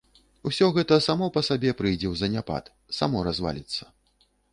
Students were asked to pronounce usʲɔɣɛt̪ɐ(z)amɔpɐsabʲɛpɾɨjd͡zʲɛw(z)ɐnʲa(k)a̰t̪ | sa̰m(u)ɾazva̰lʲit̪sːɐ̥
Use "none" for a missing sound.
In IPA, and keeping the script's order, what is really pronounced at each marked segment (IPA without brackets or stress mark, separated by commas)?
s, z, p, ɔ